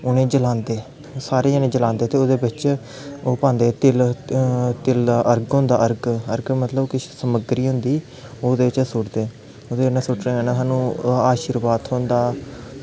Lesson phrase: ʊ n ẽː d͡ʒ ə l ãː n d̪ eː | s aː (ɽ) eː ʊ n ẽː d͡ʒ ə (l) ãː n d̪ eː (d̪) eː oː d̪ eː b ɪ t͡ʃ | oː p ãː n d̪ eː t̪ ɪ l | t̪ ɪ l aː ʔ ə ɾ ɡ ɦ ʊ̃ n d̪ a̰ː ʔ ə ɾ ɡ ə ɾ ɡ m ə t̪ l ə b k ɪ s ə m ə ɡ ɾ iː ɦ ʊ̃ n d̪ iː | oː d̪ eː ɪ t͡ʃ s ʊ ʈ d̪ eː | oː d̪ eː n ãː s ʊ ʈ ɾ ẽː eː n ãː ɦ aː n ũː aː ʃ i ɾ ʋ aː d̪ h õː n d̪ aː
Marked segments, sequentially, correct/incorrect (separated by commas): incorrect, correct, incorrect